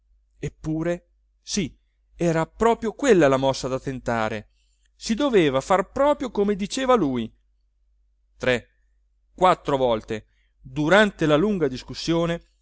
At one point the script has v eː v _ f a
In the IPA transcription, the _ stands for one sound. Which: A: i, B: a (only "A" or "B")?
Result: B